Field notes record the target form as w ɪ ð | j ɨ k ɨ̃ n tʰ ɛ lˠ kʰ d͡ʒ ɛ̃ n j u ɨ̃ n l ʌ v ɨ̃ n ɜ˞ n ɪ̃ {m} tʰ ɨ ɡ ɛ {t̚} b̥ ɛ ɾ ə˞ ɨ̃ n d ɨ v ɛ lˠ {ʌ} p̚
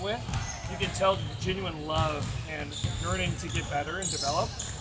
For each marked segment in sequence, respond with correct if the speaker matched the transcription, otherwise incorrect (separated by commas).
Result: incorrect, correct, incorrect